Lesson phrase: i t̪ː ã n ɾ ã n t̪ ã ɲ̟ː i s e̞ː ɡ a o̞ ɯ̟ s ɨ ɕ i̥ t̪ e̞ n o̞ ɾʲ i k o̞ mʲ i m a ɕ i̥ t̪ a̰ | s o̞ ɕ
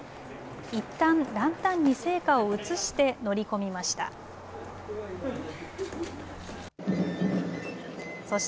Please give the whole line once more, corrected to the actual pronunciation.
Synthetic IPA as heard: i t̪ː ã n ɾ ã n t̪ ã ɲ̟ː i s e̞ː k a o̞ ɯ̟ t͡s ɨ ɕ i̥ t̪ e̞ n o̞ ɾʲ i k o̞ mʲ i m a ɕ i̥ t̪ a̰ | s o̞ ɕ

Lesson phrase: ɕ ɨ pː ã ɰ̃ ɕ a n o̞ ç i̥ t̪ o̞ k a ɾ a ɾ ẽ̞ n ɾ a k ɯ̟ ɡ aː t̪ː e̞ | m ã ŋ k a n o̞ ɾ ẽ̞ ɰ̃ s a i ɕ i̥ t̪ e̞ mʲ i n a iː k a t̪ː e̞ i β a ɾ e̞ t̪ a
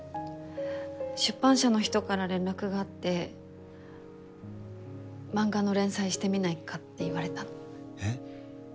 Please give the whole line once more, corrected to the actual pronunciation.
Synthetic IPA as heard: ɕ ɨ pː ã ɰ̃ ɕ a n o̞ ç i̥ t̪ o̞ k a ɾ a ɾ ẽ̞ n ɾ a k ɯ̟ ɡ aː t̪ː e̞ | m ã ŋ ɡ a n o̞ ɾ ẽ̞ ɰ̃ s a i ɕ i̥ t̪ e̞ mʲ i n a i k a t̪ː e̞ i β a ɾ e̞ t̪ a

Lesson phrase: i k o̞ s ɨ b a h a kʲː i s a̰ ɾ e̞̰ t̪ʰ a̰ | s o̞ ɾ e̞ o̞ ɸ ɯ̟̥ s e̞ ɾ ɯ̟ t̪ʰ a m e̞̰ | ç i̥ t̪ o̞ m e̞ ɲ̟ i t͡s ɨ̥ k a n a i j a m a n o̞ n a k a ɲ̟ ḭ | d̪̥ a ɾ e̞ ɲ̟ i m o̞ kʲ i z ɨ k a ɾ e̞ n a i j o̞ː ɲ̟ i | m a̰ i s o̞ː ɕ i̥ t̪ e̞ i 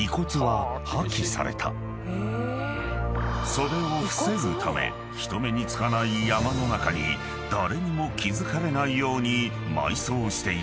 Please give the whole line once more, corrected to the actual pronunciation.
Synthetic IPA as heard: i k o̞ t͡s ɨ β a h a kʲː i s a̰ ɾ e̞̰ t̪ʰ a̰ | s o̞ ɾ e̞ o̞ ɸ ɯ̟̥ s e̞ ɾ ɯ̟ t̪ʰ a m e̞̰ | ç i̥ t̪ o̞ m e̞ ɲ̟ i t͡s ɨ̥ k a n a i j a m a n o̞ n a k a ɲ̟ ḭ | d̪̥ a ɾ e̞ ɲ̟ i m o̞ kʲ i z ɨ k a ɾ e̞ n a i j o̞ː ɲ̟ i | m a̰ i s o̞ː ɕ i̥ t̪ e̞ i

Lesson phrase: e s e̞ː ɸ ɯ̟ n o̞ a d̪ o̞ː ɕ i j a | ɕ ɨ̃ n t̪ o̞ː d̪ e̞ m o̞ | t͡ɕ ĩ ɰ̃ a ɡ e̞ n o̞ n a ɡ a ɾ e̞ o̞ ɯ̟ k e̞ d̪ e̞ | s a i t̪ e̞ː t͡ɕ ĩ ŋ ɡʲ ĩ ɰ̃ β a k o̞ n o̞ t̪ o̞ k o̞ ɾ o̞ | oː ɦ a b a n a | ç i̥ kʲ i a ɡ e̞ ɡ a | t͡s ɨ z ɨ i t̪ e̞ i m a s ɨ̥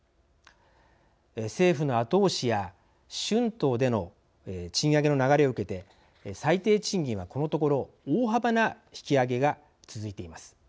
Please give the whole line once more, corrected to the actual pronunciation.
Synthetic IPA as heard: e s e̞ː ɸ ɯ̟ n o̞ a t̪ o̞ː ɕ i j a | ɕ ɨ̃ n t̪ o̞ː d̪ e̞ n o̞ | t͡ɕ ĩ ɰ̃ a ɡ e̞ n o̞ n a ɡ a ɾ e̞ o̞ ɯ̟ k e̞ t̪ e̞ | s a i t̪ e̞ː t͡ɕ ĩ ŋ ɡʲ ĩ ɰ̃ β a k o̞ n o̞ t̪ o̞ k o̞ ɾ o̞ | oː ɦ a b a n a | ç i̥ kʲ i a ɡ e̞ ɡ a | t͡s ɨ z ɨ i t̪ e̞ i m a s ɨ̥

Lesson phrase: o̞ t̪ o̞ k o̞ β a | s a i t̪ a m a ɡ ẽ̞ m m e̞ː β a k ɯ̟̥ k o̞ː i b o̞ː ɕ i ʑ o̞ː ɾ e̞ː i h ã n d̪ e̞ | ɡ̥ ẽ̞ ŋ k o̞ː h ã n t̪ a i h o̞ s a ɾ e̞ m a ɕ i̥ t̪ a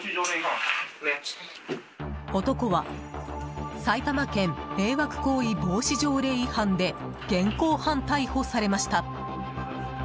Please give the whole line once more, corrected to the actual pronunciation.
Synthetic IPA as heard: o̞ t̪ o̞ k o̞ β a | s a i t̪ a m a k ẽ̞ m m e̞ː β a k ɯ̟̥ k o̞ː i b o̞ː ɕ i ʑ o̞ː ɾ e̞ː i h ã n d̪ e̞ | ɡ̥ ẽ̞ ŋ k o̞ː h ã n t̪ a i h o̞ s a ɾ e̞ m a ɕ i̥ t̪ a

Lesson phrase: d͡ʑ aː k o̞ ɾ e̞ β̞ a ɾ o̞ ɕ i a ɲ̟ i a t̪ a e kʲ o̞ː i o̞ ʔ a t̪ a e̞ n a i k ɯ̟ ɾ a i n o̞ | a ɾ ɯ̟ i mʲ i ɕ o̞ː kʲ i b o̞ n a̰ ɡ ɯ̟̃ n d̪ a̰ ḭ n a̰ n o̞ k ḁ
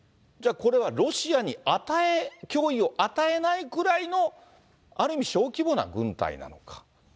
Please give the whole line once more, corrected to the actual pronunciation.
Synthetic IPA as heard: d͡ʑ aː k o̞ ɾ e̞ β̞ a ɾ o̞ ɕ i a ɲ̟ i a t̪ a e kʲ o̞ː i o̞ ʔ a t̪ a e̞ n a i k ɯ̟ ɾ a i n o̞ | a ɾ ɯ̟ i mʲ i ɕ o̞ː kʲ i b o̞ n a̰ ɡ ɯ̟̃ n t̪ a̰ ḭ n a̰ n o̞ k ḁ

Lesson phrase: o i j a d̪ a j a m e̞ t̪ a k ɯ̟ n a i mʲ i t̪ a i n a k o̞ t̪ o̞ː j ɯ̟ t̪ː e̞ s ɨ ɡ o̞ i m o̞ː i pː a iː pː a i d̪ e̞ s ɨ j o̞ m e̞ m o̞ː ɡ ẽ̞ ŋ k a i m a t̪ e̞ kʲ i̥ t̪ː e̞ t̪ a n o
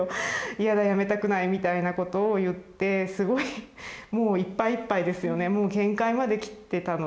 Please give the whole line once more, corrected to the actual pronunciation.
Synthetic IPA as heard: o i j a d̪ a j a m e̞ t̪ a k ɯ̟ n a i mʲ i t̪ a i n a k o̞ t̪ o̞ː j ɯ̟ t̪ː e̞ s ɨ ɡ o̞ i m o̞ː i pː a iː pː a i d̪ e̞ s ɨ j o̞ n e̞ m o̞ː ɡ ẽ̞ ŋ k a i m a d̪ e̞ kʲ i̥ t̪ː e̞ t̪ a n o

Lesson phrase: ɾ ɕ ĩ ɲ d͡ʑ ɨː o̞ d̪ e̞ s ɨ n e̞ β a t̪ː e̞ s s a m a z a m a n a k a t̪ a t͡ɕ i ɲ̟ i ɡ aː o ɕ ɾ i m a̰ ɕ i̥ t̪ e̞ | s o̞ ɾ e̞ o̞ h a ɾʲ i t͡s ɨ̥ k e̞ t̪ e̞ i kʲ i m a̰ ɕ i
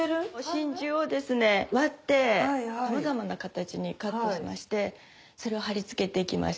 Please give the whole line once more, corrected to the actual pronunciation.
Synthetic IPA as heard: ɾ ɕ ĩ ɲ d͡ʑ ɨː o̞ d̪ e̞ s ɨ n e̞ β a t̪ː e̞ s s a m a z a m a n a k a t̪ a t͡ɕ i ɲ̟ i k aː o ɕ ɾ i m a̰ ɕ i̥ t̪ e̞ | s o̞ ɾ e̞ o̞ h a ɾʲ i t͡s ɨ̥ k e̞ t̪ e̞ i kʲ i m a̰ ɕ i

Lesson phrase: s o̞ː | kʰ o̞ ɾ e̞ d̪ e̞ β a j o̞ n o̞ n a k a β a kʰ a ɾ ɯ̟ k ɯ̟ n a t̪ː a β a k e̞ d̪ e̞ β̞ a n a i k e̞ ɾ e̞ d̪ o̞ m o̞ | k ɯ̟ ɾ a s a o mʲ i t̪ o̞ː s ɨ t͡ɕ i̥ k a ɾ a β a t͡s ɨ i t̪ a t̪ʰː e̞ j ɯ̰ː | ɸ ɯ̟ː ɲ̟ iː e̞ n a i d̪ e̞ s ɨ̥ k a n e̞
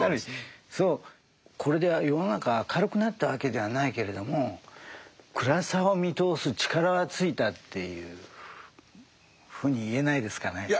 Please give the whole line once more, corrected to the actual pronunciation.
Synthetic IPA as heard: s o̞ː | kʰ o̞ ɾ e̞ d̪ e̞ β a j o̞ n o̞ n a k a β a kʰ a ɾ ɯ̟ k ɯ̟ n a t̪ː a β a k e̞ d̪ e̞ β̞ a n a i k e̞ ɾ e̞ d̪ o̞ m o̞ | k ɯ̟ ɾ a s a o mʲ i t̪ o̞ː s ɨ t͡ɕ i̥ k a ɾ a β a t͡s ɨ i t̪ a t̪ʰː e̞ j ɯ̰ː | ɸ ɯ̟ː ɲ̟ iː e̞ n a i d̪ e̞ s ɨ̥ k a n e̞

